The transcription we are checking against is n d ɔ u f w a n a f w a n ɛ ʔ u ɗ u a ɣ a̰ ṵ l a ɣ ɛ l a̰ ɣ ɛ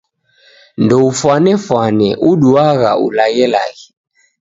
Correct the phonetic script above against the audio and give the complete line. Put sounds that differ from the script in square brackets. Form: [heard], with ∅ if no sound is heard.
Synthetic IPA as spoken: n d ɔ u f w a n [ɛ] f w a n ɛ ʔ u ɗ u a ɣ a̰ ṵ l a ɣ ɛ l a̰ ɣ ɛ